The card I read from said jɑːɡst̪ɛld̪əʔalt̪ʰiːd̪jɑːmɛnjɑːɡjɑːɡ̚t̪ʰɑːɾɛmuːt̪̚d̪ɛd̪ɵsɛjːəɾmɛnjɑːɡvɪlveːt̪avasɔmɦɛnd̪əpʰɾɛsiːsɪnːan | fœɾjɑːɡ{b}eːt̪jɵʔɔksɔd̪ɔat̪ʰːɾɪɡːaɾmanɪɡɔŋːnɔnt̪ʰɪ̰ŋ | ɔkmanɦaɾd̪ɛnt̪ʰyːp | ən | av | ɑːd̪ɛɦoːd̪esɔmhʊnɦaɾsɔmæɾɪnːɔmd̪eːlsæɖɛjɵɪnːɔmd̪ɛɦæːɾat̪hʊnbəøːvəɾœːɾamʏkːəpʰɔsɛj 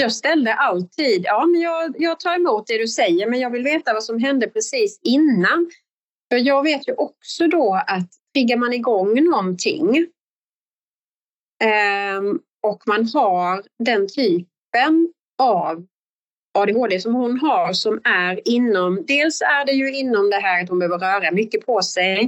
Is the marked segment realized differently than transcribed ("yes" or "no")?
yes